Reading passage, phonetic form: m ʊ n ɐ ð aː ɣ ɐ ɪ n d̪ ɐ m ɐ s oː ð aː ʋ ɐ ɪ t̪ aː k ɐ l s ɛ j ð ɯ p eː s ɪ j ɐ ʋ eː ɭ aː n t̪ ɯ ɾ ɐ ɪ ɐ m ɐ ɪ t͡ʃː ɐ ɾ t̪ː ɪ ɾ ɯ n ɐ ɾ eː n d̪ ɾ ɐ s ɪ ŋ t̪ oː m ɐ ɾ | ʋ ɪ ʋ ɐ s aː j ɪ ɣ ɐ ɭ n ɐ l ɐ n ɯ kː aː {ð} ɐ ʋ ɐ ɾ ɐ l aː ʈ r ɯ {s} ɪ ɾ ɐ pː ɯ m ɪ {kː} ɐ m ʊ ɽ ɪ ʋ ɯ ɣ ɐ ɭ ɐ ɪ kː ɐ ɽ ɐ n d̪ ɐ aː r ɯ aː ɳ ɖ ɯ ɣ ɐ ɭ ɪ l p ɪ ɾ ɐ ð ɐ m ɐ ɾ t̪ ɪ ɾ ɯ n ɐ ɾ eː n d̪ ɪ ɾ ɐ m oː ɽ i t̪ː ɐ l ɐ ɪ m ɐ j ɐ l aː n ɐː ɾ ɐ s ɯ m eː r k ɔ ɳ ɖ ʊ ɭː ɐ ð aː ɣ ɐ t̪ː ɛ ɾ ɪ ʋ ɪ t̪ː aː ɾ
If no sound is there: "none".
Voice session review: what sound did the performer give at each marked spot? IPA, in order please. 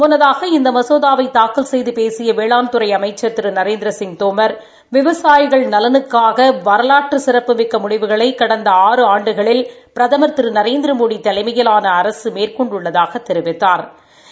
ɣ, s, kː

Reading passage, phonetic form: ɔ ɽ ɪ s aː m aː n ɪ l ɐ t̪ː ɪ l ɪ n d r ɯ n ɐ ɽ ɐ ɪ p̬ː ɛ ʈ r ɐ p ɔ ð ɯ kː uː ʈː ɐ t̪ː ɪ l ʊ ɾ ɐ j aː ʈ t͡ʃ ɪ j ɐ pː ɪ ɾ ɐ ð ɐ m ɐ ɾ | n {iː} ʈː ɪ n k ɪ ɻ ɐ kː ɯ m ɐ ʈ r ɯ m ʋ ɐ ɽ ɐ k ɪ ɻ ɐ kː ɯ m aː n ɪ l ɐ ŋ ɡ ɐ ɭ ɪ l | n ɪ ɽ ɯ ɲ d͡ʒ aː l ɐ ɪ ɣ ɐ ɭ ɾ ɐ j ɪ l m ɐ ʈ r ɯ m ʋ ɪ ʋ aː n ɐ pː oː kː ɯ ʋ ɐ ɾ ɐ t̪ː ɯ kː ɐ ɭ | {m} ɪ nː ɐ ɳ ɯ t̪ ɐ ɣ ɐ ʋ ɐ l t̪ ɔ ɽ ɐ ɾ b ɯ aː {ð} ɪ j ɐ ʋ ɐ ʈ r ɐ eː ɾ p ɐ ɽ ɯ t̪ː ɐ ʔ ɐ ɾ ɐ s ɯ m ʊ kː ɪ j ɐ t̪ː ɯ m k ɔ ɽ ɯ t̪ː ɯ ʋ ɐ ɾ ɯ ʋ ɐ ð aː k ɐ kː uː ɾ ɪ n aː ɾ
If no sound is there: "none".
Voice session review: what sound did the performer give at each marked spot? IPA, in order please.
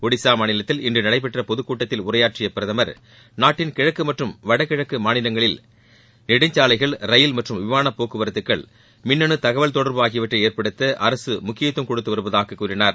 aː, m, ɣ

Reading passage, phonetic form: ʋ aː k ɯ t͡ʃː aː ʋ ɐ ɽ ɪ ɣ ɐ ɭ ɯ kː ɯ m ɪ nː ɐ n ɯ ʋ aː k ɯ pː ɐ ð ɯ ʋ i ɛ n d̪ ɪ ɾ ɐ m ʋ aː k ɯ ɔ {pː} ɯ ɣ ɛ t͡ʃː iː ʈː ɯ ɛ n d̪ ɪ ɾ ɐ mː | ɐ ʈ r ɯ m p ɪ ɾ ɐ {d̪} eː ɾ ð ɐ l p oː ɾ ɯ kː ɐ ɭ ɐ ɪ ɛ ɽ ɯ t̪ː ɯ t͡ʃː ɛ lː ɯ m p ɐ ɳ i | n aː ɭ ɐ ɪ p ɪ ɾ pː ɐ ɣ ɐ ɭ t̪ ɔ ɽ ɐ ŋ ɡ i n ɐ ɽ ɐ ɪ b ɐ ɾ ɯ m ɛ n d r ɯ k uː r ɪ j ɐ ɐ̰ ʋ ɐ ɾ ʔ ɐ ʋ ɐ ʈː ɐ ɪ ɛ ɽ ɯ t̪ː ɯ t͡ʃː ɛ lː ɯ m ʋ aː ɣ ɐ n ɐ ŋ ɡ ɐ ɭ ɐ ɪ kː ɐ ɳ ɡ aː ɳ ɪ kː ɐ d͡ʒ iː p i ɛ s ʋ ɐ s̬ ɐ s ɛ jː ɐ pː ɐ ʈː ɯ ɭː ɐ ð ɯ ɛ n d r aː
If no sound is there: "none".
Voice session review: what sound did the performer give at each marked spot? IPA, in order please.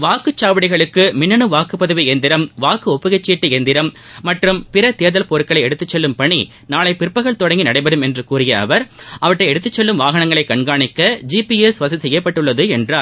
pː, t̪

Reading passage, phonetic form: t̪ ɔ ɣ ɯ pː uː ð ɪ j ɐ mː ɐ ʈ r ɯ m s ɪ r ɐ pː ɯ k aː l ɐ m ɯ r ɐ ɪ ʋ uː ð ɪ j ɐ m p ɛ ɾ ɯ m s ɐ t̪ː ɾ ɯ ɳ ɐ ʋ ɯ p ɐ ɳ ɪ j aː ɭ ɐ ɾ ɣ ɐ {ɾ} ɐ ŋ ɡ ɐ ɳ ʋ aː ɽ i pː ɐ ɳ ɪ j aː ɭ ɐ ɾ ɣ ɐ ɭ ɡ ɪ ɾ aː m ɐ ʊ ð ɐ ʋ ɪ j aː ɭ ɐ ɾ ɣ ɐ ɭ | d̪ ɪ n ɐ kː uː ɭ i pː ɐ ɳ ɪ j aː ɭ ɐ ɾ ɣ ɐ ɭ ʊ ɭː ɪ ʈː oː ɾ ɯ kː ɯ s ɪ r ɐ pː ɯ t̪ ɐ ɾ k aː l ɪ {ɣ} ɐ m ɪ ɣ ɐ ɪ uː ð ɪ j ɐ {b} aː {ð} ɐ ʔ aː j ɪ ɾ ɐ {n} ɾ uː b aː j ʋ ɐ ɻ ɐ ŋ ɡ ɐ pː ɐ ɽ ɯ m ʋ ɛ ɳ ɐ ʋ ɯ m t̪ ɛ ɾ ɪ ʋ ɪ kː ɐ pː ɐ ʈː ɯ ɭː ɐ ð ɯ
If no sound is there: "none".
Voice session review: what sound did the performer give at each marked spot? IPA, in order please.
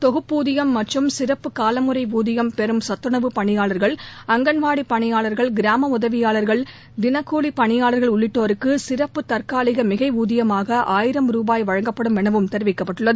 ɭ, ɣ, m, ɣ, m

